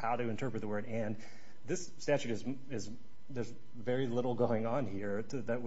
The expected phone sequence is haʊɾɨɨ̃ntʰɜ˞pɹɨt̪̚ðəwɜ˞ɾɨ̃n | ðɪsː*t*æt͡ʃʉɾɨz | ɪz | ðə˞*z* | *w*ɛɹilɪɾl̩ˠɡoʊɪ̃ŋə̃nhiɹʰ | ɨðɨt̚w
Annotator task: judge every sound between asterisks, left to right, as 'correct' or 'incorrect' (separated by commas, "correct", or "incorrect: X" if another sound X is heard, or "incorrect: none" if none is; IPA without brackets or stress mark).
correct, correct, incorrect: v